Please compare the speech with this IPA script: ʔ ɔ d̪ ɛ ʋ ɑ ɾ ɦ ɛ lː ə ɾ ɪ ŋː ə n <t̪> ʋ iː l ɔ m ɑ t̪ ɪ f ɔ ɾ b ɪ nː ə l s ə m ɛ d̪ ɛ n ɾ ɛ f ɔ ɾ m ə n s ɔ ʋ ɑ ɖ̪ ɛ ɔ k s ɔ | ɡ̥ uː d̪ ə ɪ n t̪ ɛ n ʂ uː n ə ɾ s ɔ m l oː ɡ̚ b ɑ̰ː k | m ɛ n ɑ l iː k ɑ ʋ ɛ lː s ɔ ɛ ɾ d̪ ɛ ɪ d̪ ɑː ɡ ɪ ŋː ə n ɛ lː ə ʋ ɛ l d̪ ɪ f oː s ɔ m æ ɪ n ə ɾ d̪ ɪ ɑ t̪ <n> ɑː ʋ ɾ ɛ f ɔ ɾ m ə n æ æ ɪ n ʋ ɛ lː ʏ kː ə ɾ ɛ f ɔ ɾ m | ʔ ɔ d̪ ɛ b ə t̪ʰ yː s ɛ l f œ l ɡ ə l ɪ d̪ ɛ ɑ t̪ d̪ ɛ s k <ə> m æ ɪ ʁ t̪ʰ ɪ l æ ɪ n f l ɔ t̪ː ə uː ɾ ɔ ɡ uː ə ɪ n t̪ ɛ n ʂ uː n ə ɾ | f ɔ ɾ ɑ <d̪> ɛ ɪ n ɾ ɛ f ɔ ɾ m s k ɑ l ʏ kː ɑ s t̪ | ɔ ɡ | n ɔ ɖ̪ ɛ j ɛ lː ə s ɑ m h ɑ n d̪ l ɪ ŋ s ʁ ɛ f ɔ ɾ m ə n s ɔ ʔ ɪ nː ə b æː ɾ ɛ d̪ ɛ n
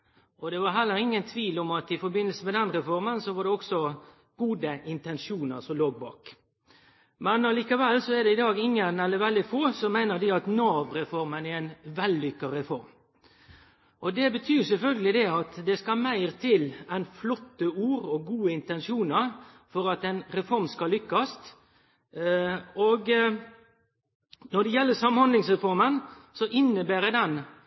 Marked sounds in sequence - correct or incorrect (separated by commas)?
incorrect, correct, incorrect, incorrect